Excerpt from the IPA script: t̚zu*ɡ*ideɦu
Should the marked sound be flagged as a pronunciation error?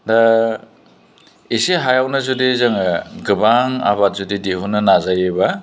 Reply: yes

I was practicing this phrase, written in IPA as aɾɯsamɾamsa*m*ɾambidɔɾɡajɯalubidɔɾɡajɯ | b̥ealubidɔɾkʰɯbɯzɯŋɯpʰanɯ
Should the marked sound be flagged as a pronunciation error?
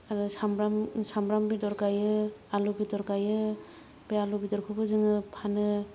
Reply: no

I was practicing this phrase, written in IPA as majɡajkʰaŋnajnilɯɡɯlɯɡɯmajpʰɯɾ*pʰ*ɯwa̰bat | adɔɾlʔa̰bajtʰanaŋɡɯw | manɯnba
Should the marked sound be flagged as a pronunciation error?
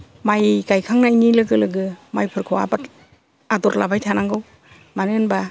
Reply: yes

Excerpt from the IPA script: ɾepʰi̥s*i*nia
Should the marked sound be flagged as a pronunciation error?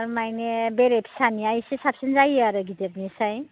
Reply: yes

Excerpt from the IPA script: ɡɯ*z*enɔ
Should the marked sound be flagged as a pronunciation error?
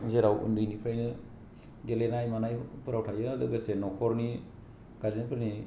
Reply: yes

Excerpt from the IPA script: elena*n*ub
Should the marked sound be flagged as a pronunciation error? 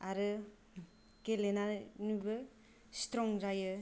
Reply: no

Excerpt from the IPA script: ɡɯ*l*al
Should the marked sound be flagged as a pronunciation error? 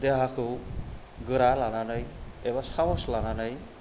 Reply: yes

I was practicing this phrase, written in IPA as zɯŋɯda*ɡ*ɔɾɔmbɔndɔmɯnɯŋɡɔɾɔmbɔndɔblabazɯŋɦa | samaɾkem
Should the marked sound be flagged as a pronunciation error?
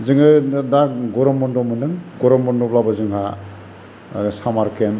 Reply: no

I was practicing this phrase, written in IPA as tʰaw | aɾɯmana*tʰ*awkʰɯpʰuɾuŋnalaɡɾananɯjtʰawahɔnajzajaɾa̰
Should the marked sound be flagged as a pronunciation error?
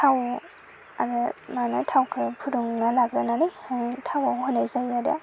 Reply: no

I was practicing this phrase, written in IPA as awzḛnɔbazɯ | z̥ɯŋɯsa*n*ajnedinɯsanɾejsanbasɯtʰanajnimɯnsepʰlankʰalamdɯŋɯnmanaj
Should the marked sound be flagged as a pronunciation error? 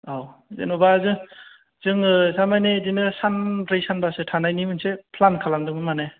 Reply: yes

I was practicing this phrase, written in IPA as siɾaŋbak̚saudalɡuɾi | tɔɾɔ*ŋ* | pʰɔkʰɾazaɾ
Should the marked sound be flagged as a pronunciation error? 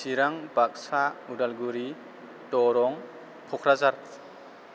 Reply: no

